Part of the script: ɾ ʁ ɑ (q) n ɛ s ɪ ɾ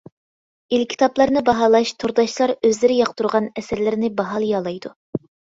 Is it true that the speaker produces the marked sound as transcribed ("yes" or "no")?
no